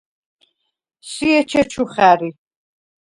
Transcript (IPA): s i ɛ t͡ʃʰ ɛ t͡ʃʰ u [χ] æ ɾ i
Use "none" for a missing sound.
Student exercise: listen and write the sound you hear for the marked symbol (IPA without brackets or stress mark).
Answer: χ